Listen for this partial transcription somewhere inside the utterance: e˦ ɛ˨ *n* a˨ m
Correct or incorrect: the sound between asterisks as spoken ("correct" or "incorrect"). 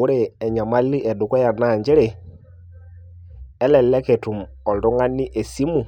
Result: incorrect